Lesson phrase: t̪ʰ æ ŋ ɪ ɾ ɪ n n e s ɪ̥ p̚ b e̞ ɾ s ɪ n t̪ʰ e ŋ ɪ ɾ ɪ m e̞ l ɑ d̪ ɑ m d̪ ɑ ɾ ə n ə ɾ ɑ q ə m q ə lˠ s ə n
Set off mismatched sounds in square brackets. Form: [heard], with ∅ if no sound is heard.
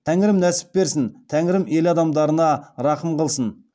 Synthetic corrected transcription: t̪ʰ æ ŋ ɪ ɾ ɪ [m] n [æ] s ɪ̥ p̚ b e̞ ɾ s ɪ n t̪ʰ [æ] ŋ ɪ ɾ ɪ m e̞ l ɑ d̪ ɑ m d̪ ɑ ɾ ə n [ɑ] ɾ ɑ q ə m q ə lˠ s ə n